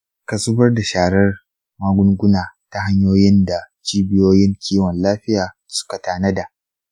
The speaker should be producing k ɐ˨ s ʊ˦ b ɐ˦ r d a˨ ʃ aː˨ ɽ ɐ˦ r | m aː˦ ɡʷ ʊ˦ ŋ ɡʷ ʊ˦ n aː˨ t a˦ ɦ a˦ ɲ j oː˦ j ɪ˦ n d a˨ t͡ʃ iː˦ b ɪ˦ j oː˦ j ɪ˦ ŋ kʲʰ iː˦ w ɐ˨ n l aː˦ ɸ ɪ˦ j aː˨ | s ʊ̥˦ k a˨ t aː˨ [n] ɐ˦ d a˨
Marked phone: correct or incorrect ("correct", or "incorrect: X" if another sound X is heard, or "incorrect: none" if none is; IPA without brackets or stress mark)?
correct